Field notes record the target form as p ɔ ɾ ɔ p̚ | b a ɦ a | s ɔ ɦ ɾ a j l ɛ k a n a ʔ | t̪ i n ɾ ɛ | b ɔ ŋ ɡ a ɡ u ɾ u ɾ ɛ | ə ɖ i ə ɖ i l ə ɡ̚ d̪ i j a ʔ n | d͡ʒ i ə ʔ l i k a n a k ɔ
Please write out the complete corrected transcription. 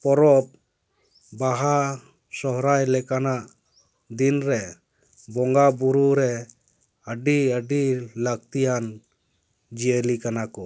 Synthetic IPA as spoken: p ɔ ɾ ɔ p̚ | b a ɦ a | s ɔ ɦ ɾ a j l ɛ k a n a ʔ | d̪ i n ɾ ɛ | b ɔ ŋ ɡ a b u ɾ u ɾ ɛ | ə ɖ i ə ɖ i l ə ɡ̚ t̪ i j a n | d͡ʒ i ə l i k a n a k ɔ